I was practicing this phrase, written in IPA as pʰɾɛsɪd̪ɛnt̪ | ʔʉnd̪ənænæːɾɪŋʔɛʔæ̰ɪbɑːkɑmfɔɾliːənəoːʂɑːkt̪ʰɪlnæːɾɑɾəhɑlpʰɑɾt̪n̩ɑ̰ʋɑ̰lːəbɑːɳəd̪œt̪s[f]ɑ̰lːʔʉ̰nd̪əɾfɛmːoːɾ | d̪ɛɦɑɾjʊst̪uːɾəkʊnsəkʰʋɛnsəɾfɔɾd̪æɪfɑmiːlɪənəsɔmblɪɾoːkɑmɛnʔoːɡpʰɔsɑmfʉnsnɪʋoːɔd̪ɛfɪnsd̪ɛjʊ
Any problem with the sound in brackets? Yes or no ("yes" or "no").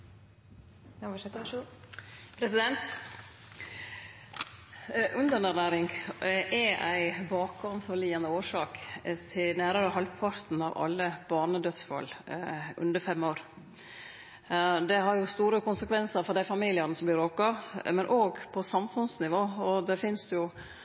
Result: no